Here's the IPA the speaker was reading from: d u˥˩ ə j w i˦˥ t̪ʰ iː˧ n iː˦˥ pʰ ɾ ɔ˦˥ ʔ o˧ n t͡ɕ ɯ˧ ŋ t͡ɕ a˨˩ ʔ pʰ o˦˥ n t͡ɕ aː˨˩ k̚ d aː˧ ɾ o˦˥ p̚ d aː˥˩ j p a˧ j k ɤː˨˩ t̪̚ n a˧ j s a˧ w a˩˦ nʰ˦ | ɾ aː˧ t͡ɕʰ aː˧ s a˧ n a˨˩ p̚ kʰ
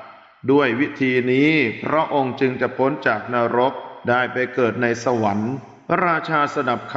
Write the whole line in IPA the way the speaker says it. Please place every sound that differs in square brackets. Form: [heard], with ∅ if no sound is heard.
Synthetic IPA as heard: d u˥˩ ə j w i˦˥ t̪ʰ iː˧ n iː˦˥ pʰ ɾ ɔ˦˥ ʔ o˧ [ŋ] t͡ɕ ɯ˧ ŋ t͡ɕ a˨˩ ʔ pʰ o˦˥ n t͡ɕ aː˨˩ k̚ [n] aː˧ ɾ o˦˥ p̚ d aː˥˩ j p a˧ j k ɤː˨˩ t̪̚ n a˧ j s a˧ w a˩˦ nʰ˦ | ɾ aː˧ t͡ɕʰ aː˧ s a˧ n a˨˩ p̚ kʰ